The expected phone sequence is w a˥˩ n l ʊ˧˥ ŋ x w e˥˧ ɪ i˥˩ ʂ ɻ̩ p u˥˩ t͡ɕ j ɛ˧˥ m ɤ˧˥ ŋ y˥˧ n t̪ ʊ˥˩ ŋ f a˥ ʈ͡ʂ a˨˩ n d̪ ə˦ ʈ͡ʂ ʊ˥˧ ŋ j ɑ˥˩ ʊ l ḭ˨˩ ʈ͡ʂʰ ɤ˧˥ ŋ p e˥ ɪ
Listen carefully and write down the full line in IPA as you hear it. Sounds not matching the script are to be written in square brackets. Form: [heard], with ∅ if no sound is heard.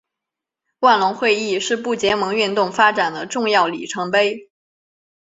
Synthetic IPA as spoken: w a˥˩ n l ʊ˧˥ ŋ x w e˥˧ ɪ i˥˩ ʂ ɻ̩ p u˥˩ t͡ɕ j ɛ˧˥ m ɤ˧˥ ŋ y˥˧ n t̪ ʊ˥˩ ŋ f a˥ ʈ͡ʂ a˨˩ n d̪ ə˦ ʈ͡ʂ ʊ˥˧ ŋ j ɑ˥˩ ʊ l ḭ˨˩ ʈ͡ʂʰ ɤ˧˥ ŋ p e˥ ɪ